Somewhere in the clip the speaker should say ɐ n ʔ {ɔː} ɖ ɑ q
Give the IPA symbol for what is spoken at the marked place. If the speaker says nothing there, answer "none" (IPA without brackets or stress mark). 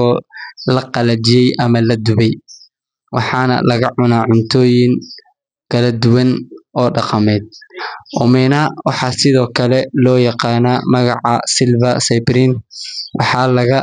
ɔː